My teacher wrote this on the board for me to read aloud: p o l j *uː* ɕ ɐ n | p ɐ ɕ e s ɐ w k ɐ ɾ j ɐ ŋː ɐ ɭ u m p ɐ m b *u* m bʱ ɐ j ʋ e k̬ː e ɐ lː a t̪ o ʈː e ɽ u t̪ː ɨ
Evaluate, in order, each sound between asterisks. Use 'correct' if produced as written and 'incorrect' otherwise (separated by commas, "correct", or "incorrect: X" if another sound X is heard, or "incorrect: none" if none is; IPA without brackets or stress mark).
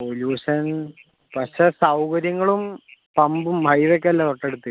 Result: correct, correct